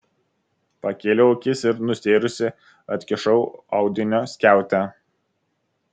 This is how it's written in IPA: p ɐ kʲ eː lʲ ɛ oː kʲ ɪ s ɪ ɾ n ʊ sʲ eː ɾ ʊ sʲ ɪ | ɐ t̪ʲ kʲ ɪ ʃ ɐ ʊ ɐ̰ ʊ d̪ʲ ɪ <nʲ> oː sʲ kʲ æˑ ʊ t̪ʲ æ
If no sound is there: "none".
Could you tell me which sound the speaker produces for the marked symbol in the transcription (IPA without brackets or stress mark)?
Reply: nʲ